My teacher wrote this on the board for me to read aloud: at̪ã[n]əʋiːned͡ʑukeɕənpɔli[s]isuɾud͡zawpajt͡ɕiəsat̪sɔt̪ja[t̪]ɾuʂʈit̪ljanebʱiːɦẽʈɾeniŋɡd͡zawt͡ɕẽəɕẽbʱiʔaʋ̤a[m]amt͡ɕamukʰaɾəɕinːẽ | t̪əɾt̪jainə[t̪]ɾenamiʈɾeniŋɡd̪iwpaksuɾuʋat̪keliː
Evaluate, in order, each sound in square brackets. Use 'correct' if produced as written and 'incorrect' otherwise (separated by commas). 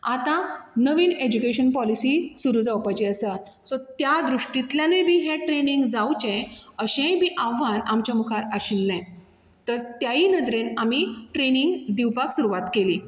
correct, correct, incorrect, incorrect, incorrect